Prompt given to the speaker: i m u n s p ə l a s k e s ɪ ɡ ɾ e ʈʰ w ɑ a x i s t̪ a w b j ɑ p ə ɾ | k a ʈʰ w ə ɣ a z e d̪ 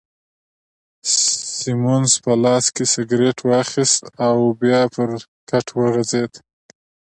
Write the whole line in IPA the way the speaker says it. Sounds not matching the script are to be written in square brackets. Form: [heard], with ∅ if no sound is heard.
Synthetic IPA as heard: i m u n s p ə l [ɑ] s k e s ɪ ɡ ɾ e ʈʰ w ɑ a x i s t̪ a w b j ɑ p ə ɾ | k a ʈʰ w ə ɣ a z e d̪